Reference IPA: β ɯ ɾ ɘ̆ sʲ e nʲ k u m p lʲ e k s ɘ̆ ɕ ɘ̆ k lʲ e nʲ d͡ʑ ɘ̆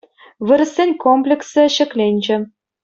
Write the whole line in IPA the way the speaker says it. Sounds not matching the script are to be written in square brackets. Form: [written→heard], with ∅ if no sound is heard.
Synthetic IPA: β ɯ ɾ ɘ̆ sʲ e nʲ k [u→o] m p lʲ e k s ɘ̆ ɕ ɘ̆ k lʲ e nʲ d͡ʑ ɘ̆